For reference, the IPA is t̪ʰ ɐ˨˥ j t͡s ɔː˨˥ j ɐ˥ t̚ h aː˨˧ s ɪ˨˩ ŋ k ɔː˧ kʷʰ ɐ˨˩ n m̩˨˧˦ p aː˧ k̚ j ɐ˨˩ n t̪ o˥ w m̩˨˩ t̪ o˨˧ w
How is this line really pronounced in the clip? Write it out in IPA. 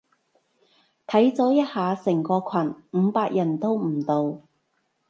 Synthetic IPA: t̪ʰ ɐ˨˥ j t͡s ɔː˨˥ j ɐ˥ t̚ h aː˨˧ s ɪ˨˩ ŋ k ɔː˧ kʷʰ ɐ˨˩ n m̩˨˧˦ p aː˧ k̚ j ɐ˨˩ n t̪ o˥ w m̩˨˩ t̪ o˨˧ w

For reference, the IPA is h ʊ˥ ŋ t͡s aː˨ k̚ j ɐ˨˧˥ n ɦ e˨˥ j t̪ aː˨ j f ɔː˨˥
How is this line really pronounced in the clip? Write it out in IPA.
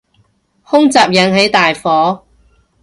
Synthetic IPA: h ʊ˥ ŋ t͡s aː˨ p̚ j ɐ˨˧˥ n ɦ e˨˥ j t̪ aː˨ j f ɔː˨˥

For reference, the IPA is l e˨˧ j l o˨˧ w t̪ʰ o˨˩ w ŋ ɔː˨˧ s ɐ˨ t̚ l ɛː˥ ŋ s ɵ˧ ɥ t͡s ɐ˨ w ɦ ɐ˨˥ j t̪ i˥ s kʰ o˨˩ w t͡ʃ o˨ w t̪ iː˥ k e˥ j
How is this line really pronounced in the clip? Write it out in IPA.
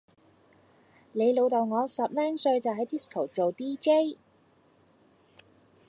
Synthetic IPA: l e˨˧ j l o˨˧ w t̪ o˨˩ w ŋ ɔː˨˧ s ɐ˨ p̚ l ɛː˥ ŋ s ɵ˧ ɥ t͡s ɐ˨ w ɦ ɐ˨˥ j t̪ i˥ s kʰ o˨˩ w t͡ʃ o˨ w t̪ iː˥ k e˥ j

